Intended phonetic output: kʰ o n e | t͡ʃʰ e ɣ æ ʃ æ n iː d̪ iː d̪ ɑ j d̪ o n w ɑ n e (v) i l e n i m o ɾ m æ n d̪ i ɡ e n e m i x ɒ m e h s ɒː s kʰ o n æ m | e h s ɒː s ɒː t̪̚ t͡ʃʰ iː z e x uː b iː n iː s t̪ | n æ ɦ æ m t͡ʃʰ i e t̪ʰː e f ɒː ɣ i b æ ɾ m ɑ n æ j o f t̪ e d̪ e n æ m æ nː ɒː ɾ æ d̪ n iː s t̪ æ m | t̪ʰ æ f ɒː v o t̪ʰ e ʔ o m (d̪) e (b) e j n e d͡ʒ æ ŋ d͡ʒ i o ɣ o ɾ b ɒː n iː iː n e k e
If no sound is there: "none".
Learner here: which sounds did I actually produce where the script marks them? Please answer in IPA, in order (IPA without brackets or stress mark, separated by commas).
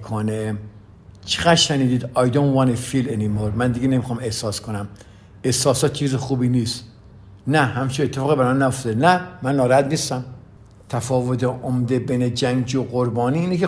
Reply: f, d̪, b